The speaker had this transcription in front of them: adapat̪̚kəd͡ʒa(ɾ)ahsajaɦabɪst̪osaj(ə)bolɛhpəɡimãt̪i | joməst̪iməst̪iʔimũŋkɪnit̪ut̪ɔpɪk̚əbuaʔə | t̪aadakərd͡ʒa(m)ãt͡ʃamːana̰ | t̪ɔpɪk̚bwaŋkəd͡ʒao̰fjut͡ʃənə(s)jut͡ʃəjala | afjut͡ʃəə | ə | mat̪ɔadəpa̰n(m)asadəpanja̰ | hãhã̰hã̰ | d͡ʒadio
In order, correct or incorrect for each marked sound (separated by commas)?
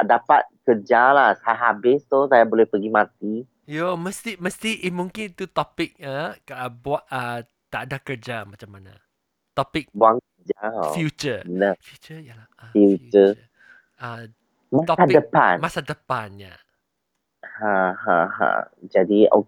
incorrect, incorrect, correct, incorrect, correct